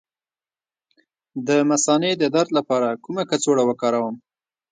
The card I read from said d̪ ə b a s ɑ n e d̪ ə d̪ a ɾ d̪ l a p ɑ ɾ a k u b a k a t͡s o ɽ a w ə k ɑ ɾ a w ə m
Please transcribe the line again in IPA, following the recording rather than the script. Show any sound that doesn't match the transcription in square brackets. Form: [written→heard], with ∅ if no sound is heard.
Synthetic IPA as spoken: d̪ ə [b→m] a s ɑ n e d̪ ə d̪ a ɾ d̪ l a p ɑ ɾ a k u [b→m] a k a t͡s o ɽ a w ə k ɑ ɾ a w ə m